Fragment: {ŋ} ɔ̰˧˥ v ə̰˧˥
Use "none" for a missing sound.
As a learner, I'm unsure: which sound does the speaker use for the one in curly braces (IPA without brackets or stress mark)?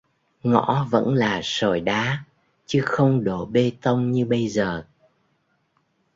ŋ